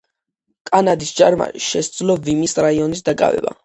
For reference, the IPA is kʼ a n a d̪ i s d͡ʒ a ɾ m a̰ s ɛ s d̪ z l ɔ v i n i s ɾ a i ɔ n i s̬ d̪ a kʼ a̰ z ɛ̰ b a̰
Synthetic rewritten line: kʼ a n a d̪ i s d͡ʒ a ɾ m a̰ ʃ ɛ s d̪ z l ɔ v i m i s ɾ a i ɔ n i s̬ d̪ a kʼ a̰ v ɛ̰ b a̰